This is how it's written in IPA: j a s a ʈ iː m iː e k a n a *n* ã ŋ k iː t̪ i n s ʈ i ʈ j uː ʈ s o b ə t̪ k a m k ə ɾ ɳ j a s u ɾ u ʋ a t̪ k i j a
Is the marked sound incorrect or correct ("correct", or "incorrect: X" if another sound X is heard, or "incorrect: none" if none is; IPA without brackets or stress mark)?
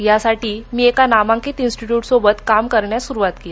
incorrect: m